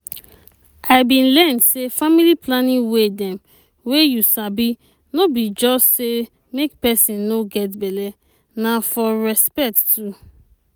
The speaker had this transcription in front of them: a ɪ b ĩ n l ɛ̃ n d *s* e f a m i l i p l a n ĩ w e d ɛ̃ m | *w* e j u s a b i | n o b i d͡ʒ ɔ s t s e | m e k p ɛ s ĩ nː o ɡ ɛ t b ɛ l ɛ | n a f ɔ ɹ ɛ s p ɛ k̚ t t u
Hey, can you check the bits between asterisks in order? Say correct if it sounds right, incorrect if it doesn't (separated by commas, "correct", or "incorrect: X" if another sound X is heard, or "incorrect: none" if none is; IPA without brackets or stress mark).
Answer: correct, correct